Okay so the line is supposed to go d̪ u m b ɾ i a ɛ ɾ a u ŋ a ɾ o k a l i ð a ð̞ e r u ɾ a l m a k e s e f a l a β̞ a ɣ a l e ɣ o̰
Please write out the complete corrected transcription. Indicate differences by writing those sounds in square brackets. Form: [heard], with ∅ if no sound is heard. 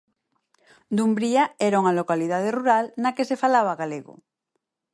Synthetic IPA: d̪ u m b ɾ i a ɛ ɾ a u ŋ a [l] o k a l i ð a ð̞ e r u ɾ a l [n] a k e s e f a l a β̞ a ɣ a l e ɣ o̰